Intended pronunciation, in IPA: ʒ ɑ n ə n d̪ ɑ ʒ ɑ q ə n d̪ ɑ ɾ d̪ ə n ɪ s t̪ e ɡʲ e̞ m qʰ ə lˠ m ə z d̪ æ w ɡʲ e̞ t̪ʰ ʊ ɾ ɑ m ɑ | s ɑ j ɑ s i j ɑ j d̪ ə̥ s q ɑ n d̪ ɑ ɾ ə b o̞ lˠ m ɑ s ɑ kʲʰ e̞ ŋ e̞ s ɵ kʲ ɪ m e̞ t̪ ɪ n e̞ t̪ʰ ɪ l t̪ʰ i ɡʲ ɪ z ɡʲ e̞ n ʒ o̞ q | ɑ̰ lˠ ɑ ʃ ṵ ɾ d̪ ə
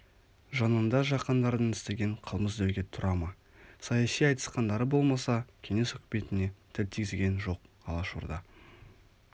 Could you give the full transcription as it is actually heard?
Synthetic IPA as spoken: ʒ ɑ n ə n d̪ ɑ ʒ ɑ q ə n d̪ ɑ ɾ d̪ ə n ɪ s t̪ e ɡʲ e̞ ɴ qʰ ə lˠ m ə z d̪ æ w ɡʲ e̞ t̪ʰ ʊ ɾ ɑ m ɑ | s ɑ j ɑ s i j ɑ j t̪ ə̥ s q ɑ n d̪ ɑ ɾ ə b o̞ lˠ m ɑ s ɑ kʲʰ e̞ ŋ e̞ s ɵ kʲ ɪ m e̞ t̪ ɪ n e̞ t̪ʰ ɪ l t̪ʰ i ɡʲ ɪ z ɡʲ e̞ n ʒ o̞ q | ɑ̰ lˠ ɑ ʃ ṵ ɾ d̪ ɑ

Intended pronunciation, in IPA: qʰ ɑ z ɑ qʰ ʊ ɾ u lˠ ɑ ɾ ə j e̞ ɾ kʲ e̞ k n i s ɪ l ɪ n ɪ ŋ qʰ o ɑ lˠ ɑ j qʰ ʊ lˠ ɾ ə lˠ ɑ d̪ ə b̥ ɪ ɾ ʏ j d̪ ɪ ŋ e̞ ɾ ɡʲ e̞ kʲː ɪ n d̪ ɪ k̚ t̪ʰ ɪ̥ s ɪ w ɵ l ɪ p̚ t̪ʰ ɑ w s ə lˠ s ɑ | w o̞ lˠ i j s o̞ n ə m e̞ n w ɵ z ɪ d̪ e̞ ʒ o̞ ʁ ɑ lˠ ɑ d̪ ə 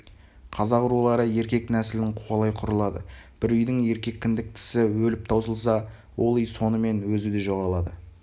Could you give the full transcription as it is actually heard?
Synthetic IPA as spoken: qʰ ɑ z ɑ q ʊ ɾ u lˠ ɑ ɾ ə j e̞ ɾ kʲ e̞ k n æ s ɪ l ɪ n ɪ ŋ qʰ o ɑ lˠ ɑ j qʰ ʊ ɾ ə lˠ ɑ d̪ ə b̥ ɪ ɾ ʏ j d̪ ɪ ŋ e̞ ɾ kʲ e̞ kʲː ɪ n d̪ ɪ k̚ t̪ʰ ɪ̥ s ɪ w ɵ l ɪ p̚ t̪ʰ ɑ w s ə lˠ s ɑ | w o̞ lˠ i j s o̞ n ə m e̞ n w ɵ z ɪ d̪ e̞ ʒ o̞ ʁ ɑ lˠ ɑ d̪ ə

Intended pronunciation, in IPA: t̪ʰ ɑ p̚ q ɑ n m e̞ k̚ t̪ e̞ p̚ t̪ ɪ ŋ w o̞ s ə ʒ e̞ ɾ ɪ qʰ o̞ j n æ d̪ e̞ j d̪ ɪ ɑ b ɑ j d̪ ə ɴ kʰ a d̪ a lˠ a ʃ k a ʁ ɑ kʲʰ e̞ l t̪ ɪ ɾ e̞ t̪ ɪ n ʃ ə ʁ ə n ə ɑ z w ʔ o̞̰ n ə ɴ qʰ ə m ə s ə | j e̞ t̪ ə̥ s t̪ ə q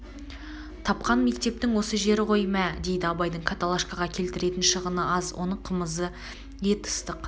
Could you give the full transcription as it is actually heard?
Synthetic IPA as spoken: t̪ʰ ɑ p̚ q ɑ n m e̞ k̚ t̪ e̞ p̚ t̪ ɪ ŋ w o̞ s ə ʒ e̞ ɾ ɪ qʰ o̞ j m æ d̪ e̞ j d̪ ɪ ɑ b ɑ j d̪ ə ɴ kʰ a t̪ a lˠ a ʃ k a ʁ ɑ kʲʰ e̞ l t̪ ɪ ɾ e̞ t̪ ɪ n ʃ ə ʁ ə n ə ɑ z w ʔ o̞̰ n ə ɴ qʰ ə m ə z ə | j e̞ t̪ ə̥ s t̪ ə q

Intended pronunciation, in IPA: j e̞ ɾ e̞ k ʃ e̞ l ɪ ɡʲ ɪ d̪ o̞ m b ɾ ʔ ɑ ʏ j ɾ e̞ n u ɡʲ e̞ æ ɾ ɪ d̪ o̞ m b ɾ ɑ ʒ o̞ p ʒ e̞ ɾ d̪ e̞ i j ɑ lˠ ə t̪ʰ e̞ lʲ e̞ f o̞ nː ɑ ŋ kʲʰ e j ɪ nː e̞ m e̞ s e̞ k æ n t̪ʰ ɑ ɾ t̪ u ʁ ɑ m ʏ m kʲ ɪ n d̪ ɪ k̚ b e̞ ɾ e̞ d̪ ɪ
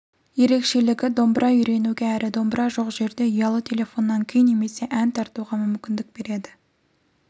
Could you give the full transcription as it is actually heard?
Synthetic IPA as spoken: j e̞ ɾ e̞ k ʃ e̞ l ɪ ɡʲ ɪ d̪ o̞ m b ɾ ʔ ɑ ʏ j ɾ e̞ n u ɡʲ e̞ æ ɾ ɪ d̪ o̞ m b ɾ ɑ ʒ o̞ q ʒ e̞ ɾ d̪ e̞ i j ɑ lˠ ə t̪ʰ e̞ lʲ e̞ f o̞ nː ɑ ŋ kʲʰ e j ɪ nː e̞ m e̞ s e̞ ʔ æ n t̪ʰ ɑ ɾ t̪ u ʁ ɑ m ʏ m kʲ ɪ n d̪ ɪ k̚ b e̞ ɾ e̞ d̪ ɪ

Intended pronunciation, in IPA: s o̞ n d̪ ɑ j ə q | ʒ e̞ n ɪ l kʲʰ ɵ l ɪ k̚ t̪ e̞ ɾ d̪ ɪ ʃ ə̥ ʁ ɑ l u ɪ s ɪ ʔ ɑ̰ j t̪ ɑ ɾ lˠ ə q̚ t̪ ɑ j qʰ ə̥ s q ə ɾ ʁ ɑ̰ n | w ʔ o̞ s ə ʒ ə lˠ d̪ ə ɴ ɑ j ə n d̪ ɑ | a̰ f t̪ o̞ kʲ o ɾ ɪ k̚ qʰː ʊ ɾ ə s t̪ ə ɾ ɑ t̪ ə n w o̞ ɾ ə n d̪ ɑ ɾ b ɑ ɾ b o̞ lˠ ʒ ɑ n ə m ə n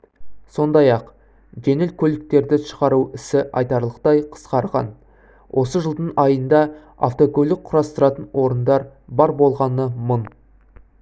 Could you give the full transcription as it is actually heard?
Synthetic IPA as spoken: s o̞ n d̪ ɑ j ɑ q | ʒ e̞ n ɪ l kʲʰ ɵ l ɪ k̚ t̪ e̞ ɾ d̪ ɪ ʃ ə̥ ʁ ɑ ɾ u ɪ s ɪ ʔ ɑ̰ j t̪ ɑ ɾ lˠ ə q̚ t̪ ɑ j qʰ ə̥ s q ɑ ɾ ʁ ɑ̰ n | w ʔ o̞ s ə ʒ ə lˠ d̪ ə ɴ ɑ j ə n d̪ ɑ | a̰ f t̪ o̞ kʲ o l ɪ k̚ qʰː ʊ ɾ ɑ s t̪ ə ɾ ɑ t̪ ə n w o̞ ɾ ə n d̪ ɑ ɾ b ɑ ɾ b o̞ lˠ ʁ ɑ n ə m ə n

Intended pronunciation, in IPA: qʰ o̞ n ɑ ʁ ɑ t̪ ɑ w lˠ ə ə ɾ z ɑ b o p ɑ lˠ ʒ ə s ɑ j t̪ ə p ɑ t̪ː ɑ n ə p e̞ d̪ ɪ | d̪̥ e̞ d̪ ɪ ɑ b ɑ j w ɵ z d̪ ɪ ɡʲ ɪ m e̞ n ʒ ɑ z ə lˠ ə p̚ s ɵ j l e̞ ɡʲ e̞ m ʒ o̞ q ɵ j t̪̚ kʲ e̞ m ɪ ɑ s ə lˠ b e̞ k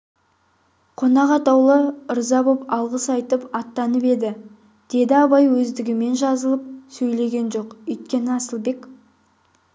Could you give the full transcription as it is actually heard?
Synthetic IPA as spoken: qʰ o̞ n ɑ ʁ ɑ t̪ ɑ w lˠ ə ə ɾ z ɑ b o p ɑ lˠ ʁ ə s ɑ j t̪ ə p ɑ t̪ː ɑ n ə p e̞ d̪ ɪ | d̪̥ e̞ d̪ ɪ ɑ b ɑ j w ɵ z d̪ ɪ ɡʲ ɪ m e̞ n ʒ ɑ z ə lˠ ə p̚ s ɵ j l e̞ ɡʲ e̞ n ʒ o̞ q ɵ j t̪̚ kʲ e̞ n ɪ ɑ s ə lˠ b e̞ k

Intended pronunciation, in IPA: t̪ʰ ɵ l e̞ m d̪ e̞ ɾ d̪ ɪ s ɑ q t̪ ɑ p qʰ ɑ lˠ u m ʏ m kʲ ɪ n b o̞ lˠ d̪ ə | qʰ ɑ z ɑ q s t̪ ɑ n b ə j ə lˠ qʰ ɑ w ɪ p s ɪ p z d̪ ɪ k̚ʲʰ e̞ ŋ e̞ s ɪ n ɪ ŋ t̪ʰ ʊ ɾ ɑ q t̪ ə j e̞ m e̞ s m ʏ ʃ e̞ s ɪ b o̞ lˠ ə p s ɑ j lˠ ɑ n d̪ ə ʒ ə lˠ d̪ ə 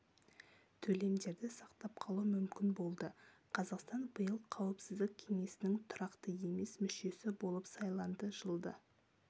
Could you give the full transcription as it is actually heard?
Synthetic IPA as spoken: t̪ʰ ɵ l e̞ m d̪ e̞ ɾ d̪ ɪ s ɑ q t̪ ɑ p qʰ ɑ lˠ u m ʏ m kʲ ɪ n b o̞ lˠ d̪ ə | qʰ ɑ z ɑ q s t̪ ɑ n b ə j ə lˠ qʰ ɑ w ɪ p s ɪ z d̪ ɪ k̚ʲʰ e̞ ŋ e̞ s ɪ n ɪ ŋ t̪ʰ ʊ ɾ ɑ q t̪ ə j e̞ m e̞ s m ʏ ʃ e̞ s ɪ b o̞ lˠ ə p s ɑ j lˠ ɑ n d̪ ə ʒ ə lˠ d̪ ə

